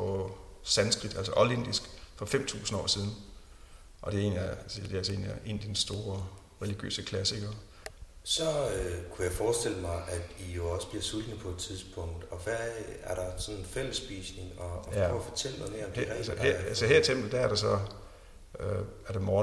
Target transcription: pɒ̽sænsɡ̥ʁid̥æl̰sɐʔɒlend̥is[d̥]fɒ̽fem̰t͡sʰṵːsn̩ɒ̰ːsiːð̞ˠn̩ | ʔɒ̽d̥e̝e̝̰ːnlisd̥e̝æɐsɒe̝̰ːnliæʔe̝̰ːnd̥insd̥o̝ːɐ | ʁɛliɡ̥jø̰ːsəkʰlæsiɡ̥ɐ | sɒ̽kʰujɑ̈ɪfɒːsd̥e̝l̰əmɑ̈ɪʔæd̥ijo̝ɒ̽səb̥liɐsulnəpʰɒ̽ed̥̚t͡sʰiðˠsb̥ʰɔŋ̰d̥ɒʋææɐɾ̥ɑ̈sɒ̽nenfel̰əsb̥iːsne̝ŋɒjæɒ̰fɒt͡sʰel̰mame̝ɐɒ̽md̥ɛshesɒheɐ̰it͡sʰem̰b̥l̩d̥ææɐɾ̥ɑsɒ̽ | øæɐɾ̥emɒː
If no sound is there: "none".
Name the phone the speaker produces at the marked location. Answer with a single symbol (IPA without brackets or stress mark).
ɡ̥